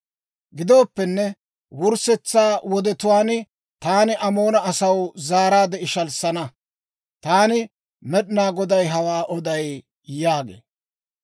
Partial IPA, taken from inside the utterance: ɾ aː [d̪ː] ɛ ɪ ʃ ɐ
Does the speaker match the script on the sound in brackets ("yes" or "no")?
no